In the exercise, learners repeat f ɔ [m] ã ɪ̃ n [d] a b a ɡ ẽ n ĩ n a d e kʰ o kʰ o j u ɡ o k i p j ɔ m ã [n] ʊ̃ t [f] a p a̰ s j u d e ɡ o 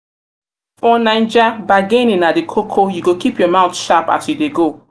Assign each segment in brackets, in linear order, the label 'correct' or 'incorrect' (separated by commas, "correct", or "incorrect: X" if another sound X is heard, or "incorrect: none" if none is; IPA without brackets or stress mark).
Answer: incorrect: n, incorrect: d͡ʒ, incorrect: none, incorrect: ʃ